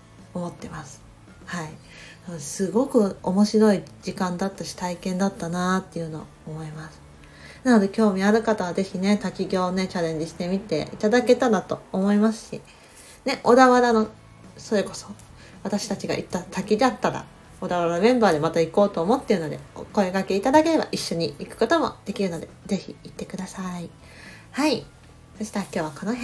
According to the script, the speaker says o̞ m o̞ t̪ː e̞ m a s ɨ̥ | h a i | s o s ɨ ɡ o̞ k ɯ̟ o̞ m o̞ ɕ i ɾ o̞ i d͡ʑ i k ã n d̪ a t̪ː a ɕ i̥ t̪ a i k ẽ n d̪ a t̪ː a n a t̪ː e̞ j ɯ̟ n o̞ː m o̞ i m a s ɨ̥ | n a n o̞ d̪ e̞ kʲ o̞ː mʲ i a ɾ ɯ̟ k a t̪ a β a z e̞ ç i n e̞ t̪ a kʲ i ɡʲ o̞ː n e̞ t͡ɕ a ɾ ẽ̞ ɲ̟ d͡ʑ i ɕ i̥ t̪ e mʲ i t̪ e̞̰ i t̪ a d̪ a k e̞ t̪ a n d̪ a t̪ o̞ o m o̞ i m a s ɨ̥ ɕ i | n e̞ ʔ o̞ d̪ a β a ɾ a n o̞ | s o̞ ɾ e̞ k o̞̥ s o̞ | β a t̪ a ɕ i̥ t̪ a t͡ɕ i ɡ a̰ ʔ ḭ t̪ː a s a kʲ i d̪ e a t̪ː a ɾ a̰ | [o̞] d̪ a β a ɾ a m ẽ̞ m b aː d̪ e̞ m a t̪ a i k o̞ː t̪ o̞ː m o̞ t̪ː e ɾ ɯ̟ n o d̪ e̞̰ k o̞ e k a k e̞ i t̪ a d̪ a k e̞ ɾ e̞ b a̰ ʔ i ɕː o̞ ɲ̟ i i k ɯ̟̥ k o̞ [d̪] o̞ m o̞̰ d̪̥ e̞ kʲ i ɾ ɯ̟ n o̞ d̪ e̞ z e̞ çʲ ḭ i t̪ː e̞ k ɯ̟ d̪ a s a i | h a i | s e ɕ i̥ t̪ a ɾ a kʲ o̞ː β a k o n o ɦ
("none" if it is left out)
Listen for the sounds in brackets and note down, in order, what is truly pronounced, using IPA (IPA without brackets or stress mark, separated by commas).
o̞, t̪